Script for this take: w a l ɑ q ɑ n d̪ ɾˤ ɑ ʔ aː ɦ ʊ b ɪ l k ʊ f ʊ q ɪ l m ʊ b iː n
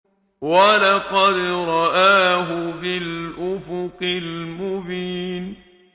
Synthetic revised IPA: w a l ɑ q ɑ d̪ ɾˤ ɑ ʔ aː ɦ ʊ b ɪ l ʔ ʊ f ʊ q ɪ l m ʊ b iː n